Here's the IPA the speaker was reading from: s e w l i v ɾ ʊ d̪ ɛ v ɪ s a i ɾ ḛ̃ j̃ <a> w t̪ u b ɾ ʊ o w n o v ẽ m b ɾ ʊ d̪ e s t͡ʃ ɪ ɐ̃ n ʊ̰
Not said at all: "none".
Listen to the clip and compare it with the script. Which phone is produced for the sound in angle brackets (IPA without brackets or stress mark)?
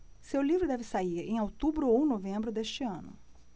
a